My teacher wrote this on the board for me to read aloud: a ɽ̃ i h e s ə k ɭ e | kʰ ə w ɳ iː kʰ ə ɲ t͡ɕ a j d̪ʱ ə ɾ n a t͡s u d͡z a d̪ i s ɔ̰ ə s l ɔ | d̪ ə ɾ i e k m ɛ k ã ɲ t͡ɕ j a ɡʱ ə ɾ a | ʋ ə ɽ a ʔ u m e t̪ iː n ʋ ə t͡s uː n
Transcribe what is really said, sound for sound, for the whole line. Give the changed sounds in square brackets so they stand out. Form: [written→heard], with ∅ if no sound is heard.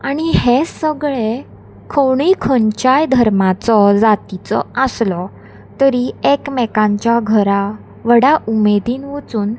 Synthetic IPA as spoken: a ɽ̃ i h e s ə [k→ɡ] ɭ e | kʰ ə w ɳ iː kʰ ə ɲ t͡ɕ a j d̪ʱ ə ɾ [n→m] a t͡s [u→ɔ] d͡z a [d̪→t̪] i [s→t͡s] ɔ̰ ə s l ɔ | [d̪→t̪] ə ɾ i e k m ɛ k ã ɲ t͡ɕ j a ɡʱ ə ɾ a | ʋ ə ɽ a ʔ u m e [t̪→d̪] iː n ʋ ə t͡s uː n